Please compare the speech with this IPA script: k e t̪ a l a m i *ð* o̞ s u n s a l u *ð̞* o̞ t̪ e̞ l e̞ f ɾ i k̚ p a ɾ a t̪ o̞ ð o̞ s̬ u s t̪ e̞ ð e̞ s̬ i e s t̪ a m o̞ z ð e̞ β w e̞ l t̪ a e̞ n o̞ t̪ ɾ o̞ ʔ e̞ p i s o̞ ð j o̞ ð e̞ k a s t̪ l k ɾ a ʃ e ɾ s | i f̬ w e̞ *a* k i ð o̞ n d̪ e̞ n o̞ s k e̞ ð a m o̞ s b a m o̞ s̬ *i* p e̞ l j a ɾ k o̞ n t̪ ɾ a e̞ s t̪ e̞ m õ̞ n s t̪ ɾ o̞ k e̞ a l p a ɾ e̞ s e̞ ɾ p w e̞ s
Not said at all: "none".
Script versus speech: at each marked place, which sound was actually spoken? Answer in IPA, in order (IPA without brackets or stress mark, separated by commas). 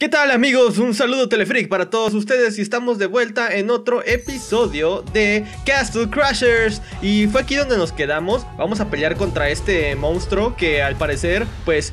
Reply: ɣ, ð̞, a, a